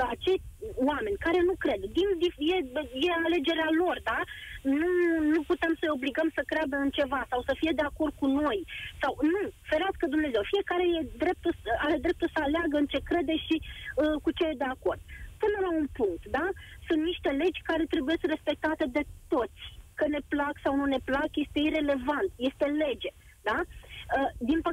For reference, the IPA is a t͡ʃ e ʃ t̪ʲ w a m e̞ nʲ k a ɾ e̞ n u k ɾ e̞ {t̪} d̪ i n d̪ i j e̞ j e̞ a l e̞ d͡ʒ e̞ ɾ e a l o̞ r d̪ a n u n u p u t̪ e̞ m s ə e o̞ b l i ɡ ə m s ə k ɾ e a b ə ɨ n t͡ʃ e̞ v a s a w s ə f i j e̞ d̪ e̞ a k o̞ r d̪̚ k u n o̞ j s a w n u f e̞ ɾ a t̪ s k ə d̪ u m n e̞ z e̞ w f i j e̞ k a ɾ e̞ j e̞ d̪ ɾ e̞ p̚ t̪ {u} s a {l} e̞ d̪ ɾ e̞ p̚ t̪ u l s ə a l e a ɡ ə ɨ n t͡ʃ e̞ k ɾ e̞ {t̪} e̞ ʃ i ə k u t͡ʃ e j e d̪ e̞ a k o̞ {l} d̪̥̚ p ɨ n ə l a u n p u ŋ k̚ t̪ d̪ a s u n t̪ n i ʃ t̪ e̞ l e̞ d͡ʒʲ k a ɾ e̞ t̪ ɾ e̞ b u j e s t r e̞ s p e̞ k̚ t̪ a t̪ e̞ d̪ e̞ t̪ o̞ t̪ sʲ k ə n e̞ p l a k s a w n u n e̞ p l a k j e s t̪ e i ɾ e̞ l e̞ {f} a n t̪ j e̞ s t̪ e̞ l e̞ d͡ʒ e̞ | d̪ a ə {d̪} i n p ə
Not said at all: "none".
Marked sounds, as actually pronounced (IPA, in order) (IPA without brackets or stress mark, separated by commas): d̪, u, ɾ, d̪, r, v, d̪